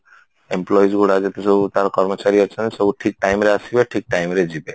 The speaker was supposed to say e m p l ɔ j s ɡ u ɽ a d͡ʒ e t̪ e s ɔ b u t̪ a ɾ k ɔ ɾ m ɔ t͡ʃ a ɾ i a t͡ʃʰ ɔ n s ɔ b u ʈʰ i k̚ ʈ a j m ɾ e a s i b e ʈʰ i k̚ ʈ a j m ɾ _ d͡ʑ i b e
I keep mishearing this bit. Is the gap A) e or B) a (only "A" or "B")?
A